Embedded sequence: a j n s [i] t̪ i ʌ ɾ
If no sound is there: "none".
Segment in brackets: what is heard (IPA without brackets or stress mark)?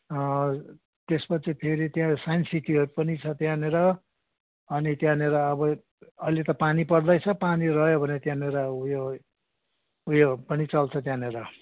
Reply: i